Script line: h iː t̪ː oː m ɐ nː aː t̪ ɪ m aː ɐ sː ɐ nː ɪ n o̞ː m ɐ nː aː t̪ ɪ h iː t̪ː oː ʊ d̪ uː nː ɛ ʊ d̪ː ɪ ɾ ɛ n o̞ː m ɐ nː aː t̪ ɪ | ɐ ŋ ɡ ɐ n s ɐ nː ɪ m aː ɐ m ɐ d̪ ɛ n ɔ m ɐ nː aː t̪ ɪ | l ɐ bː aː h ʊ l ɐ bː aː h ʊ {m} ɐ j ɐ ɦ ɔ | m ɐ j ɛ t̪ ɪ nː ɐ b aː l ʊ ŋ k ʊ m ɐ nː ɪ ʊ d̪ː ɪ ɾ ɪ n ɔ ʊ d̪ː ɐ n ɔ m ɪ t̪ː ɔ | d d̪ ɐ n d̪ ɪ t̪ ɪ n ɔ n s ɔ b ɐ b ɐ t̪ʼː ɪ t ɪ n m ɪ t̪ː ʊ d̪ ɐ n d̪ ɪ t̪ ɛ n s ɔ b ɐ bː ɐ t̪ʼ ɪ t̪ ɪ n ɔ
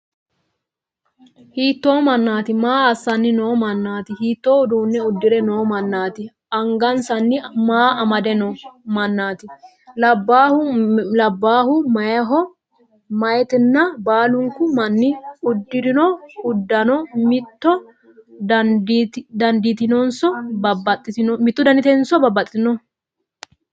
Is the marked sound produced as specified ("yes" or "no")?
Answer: yes